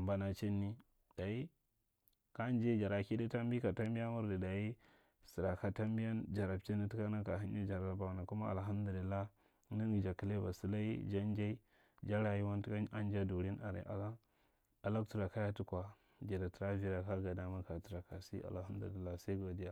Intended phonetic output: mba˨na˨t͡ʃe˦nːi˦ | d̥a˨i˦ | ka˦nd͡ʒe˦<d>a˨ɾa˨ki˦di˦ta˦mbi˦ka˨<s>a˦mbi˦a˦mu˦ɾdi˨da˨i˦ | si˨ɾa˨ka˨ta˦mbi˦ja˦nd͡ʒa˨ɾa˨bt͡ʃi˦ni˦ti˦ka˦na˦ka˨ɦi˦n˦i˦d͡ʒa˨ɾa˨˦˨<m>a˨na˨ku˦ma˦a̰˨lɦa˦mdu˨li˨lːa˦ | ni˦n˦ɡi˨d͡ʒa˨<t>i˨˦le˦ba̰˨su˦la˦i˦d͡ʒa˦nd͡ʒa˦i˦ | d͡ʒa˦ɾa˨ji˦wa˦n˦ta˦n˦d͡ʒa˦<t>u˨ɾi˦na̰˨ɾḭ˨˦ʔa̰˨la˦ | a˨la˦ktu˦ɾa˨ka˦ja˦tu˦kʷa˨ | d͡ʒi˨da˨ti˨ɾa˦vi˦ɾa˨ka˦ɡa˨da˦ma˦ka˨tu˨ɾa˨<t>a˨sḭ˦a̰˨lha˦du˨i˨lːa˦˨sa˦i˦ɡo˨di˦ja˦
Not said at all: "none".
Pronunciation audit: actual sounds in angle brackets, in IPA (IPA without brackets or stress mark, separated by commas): d͡ʒ, t, b, k, d, k